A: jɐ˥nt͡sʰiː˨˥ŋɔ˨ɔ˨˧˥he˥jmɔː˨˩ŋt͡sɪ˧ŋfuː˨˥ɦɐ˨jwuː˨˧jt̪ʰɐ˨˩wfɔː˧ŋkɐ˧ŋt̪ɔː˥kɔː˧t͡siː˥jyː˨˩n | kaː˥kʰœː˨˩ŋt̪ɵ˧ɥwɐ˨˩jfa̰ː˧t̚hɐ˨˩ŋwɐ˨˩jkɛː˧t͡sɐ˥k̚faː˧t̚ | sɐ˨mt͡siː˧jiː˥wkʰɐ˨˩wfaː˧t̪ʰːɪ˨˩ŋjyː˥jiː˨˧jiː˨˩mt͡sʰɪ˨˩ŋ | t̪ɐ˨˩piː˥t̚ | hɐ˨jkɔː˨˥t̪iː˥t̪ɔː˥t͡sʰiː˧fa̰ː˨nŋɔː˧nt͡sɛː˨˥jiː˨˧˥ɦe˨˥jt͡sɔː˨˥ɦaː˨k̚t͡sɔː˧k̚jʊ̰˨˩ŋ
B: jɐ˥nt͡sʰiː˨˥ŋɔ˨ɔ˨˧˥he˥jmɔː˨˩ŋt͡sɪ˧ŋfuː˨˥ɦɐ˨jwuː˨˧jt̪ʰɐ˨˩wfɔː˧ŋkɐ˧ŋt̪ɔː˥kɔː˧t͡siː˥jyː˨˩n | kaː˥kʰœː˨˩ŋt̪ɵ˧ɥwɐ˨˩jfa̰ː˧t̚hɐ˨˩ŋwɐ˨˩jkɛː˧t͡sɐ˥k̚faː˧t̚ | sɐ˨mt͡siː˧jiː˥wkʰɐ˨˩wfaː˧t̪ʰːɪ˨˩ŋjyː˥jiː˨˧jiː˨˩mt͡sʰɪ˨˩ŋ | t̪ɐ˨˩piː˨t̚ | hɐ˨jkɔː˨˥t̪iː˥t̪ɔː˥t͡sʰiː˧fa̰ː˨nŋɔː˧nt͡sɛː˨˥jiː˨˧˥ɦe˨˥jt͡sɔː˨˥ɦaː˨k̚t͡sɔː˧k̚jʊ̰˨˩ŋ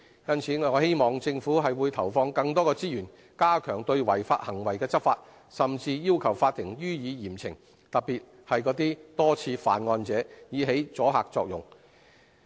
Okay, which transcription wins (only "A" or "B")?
B